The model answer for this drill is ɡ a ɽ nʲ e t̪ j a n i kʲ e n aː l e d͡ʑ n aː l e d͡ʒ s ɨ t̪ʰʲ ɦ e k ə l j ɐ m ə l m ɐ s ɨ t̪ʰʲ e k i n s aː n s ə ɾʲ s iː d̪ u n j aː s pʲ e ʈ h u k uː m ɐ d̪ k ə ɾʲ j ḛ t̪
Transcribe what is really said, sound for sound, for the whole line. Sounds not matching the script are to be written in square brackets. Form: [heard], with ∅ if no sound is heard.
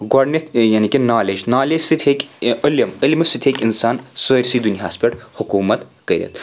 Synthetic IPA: ɡ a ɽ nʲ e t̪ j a n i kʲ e n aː l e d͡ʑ n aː l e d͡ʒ s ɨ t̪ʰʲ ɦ e k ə l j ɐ m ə l m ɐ s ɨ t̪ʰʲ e k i n s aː n s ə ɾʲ s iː d̪ u n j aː s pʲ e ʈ h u k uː m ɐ [t̪] k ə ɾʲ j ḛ t̪